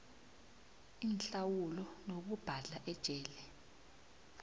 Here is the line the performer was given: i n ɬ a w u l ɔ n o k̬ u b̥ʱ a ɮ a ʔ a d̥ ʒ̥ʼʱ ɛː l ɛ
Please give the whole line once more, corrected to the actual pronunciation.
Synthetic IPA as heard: i n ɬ a w u l ɔ n o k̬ u b̥ʱ a ɮ a ʔ ɛ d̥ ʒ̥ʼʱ ɛː l ɛ